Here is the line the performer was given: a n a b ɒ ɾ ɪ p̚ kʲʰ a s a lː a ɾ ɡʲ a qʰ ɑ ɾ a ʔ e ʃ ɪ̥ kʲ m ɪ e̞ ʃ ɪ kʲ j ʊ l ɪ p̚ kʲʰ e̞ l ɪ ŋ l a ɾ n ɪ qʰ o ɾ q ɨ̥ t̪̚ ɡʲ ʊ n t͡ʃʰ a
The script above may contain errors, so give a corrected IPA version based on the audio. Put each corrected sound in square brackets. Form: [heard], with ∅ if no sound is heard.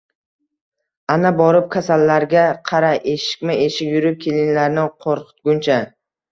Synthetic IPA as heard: a n a b ɒ ɾ ɪ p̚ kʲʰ a s a lː a ɾ ɡʲ a qʰ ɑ ɾ a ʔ e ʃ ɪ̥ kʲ m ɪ e̞ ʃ ɪ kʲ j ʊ [ɾ] ɪ p̚ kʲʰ e̞ l ɪ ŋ l a ɾ n ɪ qʰ o ɾ q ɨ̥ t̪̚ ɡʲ ʊ n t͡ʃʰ a